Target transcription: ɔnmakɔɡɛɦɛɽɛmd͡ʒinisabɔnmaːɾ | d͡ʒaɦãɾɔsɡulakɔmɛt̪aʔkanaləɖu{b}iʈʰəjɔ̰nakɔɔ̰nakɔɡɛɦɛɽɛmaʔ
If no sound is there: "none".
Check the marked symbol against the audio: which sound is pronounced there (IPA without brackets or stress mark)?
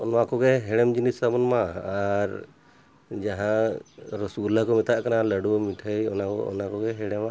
m